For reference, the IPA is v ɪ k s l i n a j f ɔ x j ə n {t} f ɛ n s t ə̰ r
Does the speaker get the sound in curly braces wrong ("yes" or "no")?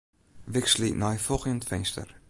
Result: no